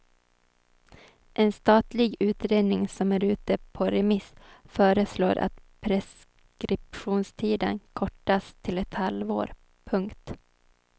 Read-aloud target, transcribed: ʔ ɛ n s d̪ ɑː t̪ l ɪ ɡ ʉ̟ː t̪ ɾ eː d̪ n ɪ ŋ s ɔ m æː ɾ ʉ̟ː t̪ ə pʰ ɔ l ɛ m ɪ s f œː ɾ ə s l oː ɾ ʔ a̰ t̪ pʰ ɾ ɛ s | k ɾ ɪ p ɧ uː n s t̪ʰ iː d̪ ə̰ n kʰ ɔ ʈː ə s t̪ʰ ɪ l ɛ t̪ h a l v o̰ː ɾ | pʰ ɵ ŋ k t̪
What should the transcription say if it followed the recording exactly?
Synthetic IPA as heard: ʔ ɛ n s t̪ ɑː t̪ l ɪ ɡ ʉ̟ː t̪ ɾ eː d̪ n ɪ ŋ s ɔ m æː ɾ ʉ̟ː t̪ ə pʰ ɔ ɾ ɛ m ɪ s f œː ɾ ə s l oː ɾ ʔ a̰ t̪ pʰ ɾ ɛ s | k ɾ ɪ p ɧ uː n s t̪ʰ iː d̪ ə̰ n kʰ ɔ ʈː a s t̪ʰ ɪ l ɛ t̪ h a l v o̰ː ɾ | pʰ ɵ ŋ k t̪

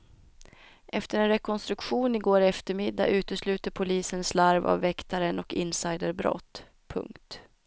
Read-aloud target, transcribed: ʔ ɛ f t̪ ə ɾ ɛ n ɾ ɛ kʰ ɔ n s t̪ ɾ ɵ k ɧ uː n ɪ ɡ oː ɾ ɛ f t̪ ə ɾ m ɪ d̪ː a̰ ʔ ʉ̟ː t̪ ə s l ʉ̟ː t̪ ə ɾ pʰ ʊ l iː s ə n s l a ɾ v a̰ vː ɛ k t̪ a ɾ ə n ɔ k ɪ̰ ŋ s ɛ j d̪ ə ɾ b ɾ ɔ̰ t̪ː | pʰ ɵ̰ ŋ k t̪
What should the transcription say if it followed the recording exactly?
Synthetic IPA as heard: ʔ ɛ f t̪ ə ɾ ɛ n ɾ ɛ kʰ ɔ n s t̪ ɾ ɵ k ɧ uː n ɪ ɡ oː ɾ ɛ f t̪ ə ɾ m ɪ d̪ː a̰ ʔ ʉ̟ː t̪ ə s l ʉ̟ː t̪ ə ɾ pʰ ʊ l iː s ə n s l a ɾ v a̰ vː ɛ k t̪ a ɾ ə n ɔ k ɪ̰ n s a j d̪ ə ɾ b ɾ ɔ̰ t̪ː | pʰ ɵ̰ ŋ k t̪

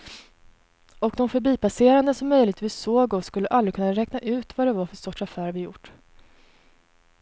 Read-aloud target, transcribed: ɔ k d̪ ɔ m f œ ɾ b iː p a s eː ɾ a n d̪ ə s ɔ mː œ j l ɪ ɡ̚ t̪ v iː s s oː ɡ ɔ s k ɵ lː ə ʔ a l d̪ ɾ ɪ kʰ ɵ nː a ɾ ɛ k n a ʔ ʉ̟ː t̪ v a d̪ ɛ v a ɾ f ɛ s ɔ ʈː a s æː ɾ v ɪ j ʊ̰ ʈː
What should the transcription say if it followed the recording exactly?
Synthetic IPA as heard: ɔ k d̪ ɔ m f œ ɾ b iː p a s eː ɾ a n d̪ ə s ɔ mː œ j l ɪ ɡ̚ t̪ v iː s s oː ɡ ɔ s k ɵ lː ə ʔ a l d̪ ɾ ɪ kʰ ɵ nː a ɾ ɛ k n a ʔ ʉ̟ː t̪ v a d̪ ɛ v a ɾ f œ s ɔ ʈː a f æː ɾ v ɪ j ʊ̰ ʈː

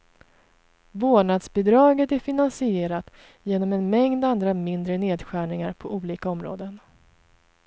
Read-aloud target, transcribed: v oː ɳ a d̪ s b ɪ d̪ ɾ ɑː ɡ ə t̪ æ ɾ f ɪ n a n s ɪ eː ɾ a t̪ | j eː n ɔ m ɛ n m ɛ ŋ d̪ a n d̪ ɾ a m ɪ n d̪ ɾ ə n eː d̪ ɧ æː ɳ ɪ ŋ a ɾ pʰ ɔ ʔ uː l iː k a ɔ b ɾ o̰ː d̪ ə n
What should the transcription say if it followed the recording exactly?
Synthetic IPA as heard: v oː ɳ a d̪ s b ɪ d̪ ɾ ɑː ɡ ə t̪ æ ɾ f ɪ n a n s ɪ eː ɾ a t̪ | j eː n ɔ m ɛ n m ɛ ŋ d̪ a n d̪ ɾ a m ɪ n d̪ ɾ ə n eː d̪ ɧ æː ɳ ɪ ŋ a ɾ pʰ ɔ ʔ uː l iː k a ɔ m ɾ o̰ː d̪ ə n

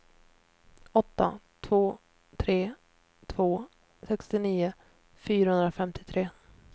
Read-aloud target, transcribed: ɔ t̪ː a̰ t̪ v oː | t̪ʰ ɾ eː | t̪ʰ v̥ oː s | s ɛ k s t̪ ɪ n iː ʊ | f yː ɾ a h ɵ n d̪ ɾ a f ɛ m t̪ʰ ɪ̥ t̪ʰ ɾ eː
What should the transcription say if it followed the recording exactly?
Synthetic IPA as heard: ɔ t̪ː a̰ t̪ʰ v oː | t̪ʰ ɾ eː | t̪ʰ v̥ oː | s ɛ k s t̪ ɪ n iː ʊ | f yː ɾ a h ɵ n d̪ ɾ a f ɛ m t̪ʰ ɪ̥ t̪ʰ ɾ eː

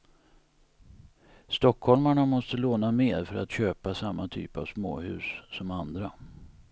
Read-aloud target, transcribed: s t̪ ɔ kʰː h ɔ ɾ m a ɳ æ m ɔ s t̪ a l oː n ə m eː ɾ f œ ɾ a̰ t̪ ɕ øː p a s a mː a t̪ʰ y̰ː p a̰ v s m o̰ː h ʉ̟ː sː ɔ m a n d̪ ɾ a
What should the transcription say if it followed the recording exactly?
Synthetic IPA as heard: s t̪ ɔ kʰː h ɔ l m a ɳ a m ɔ s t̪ ə l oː n a m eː ɾ f œ ɾ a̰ t̪ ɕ øː p a s a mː a t̪ʰ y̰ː p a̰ v s m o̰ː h ʉ̟ː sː ɔ m a n d̪ ɾ a

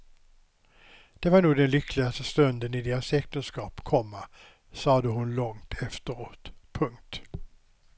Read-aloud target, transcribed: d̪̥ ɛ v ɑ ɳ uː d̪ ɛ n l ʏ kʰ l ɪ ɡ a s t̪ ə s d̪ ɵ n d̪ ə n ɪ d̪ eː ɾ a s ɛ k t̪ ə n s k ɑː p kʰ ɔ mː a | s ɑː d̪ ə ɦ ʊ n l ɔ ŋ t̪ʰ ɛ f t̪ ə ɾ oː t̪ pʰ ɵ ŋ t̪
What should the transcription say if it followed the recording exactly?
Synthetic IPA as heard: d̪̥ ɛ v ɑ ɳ uː d̪ ɛ n l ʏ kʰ l ɪ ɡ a s t̪ ə s t̪ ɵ n d̪ ə n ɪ d̪ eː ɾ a s ɛ k t̪ ə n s k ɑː p kʰ ɔ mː a | s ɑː d̪ ə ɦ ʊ n l ɔ ŋ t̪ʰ ɛ f t̪ ə ɾ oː t̪ pʰ ɵ ŋ t̪

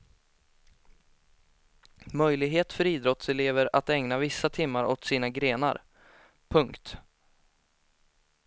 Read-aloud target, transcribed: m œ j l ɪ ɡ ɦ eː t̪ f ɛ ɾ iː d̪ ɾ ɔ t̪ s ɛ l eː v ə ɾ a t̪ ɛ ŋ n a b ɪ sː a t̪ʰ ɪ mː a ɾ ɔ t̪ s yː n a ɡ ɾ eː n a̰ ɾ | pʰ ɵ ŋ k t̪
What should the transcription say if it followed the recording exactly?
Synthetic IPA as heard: m œ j l ɪ ɡ ɦ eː t̪ f œ ɾ iː d̪ ɾ ɔ t̪ s ɛ l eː v ə ɾ a t̪ ɛ ŋ n a v ɪ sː a t̪ʰ ɪ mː a ɾ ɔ t̪ s iː n a ɡ ɾ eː n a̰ ɾ | pʰ ɵ ŋ k t̪

